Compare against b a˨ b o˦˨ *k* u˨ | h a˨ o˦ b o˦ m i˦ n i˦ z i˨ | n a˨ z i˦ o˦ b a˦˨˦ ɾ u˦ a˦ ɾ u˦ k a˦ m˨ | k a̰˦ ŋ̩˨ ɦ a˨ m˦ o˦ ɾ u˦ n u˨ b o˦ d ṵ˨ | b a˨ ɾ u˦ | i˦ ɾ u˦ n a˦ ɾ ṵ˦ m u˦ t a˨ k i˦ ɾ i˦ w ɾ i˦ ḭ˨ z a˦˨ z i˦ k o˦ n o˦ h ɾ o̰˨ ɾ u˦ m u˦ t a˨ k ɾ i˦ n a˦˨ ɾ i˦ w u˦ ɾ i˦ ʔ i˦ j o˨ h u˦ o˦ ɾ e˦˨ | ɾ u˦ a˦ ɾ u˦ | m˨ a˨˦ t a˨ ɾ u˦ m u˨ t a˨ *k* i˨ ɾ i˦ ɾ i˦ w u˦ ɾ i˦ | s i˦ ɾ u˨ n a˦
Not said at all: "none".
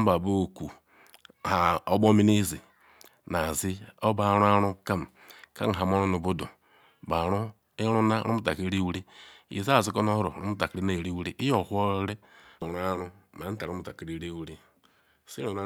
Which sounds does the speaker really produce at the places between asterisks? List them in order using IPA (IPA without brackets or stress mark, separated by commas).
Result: k, k